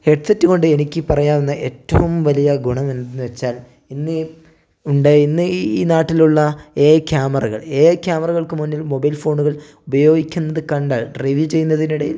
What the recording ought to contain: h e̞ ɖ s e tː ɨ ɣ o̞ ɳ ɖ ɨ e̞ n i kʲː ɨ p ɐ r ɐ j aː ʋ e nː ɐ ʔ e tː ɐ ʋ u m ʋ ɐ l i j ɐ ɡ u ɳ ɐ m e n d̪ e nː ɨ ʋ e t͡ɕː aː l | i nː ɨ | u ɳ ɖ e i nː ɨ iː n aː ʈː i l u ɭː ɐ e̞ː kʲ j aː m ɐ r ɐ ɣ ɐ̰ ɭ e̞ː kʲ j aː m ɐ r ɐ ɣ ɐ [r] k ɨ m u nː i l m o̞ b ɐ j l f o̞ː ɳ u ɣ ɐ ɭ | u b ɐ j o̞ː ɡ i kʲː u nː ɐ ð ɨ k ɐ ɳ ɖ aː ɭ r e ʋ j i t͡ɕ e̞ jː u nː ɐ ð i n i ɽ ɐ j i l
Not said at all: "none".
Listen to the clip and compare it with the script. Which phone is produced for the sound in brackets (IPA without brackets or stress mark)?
ɭ